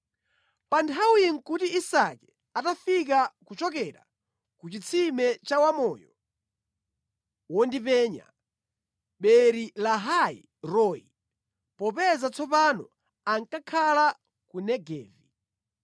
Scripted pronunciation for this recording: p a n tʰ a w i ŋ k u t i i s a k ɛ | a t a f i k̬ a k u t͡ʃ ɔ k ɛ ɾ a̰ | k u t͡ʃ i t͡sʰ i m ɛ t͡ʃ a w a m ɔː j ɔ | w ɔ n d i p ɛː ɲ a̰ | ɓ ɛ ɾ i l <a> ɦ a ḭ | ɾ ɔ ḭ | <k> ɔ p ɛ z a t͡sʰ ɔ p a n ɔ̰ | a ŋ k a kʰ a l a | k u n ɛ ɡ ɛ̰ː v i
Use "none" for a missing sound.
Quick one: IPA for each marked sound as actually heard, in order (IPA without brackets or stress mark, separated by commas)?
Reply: a, p